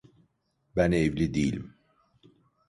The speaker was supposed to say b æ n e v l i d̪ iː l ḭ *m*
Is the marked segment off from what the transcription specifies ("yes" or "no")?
no